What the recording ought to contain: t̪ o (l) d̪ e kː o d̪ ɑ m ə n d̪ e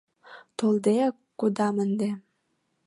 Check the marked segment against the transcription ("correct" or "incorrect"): correct